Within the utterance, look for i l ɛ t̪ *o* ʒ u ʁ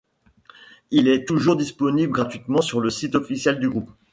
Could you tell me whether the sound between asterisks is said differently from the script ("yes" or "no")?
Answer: yes